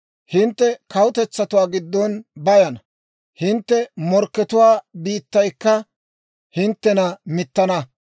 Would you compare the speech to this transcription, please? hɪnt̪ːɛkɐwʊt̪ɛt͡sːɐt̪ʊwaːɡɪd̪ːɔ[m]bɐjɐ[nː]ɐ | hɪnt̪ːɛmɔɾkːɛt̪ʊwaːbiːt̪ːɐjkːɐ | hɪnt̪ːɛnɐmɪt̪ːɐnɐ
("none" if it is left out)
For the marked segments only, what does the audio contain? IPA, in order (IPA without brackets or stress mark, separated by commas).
n, n